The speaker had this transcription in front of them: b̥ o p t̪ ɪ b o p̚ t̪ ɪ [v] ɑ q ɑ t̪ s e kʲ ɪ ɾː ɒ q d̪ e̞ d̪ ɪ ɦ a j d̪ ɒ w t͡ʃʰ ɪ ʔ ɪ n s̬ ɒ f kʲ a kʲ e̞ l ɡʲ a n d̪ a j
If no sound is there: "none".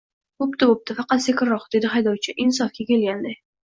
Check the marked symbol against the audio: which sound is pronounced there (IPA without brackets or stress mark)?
f